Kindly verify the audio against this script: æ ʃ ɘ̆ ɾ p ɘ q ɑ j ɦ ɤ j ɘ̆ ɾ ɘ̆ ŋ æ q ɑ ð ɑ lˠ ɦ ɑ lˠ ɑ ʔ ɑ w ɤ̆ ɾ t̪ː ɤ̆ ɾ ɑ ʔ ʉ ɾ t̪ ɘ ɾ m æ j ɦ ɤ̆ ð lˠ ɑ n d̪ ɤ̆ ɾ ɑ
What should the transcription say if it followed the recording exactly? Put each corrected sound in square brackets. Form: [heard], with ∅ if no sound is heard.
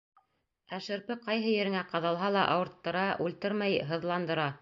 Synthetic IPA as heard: æ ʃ ɘ̆ ɾ p ɘ q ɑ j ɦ ɤ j ɘ̆ ɾ ɘ̆ ŋ æ q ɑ ð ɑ lˠ ɦ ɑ lˠ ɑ ʔ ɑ w ɤ̆ ɾ t̪ː ɤ̆ ɾ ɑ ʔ ʉ [l] t̪ ɘ ɾ m æ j ɦ ɤ̆ ð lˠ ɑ n d̪ ɤ̆ ɾ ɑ